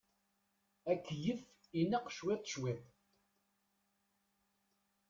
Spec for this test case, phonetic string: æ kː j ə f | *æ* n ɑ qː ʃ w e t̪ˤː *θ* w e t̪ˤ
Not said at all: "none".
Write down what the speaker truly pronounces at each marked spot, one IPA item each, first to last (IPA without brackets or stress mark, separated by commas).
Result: i, ʃ